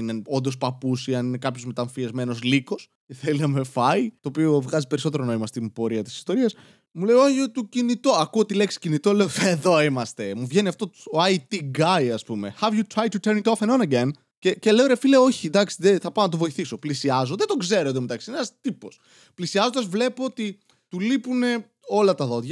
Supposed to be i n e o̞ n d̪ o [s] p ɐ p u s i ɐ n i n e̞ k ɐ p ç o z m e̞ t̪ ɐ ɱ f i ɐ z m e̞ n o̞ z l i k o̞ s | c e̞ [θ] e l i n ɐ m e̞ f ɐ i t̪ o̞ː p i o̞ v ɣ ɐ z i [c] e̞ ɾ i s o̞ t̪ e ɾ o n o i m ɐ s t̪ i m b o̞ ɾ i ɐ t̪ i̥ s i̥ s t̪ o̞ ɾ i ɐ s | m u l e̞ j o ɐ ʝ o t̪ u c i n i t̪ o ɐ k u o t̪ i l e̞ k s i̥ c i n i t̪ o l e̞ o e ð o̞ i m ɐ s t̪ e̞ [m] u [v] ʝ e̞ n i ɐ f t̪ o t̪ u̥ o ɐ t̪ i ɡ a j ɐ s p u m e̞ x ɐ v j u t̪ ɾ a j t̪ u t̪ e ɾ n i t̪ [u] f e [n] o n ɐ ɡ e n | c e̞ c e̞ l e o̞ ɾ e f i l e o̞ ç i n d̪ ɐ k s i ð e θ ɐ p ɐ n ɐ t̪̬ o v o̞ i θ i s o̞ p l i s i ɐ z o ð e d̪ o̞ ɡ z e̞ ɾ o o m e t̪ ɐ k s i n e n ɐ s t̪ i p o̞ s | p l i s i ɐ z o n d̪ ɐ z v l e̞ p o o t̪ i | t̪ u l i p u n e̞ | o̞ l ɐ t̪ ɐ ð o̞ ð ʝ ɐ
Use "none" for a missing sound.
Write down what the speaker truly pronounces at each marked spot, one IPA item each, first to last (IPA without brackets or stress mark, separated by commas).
s, θ, p, m, v, o, n